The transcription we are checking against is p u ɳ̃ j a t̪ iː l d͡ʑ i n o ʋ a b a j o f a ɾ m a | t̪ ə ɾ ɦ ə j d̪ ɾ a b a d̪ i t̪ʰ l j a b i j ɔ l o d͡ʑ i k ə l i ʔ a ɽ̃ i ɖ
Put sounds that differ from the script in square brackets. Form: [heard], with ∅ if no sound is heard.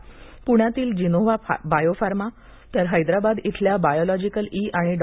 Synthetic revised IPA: p u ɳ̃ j a t̪ iː l d͡ʑ i n o ʋ a b a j o f a ɾ m a | t̪ ə ɾ ɦ ə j d̪ ɾ a b a d̪ i t̪ʰ l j a b [a] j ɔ l [ɔ] d͡ʑ i k ə l i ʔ a ɽ̃ i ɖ